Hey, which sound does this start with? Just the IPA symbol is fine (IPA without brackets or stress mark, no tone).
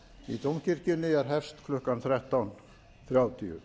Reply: i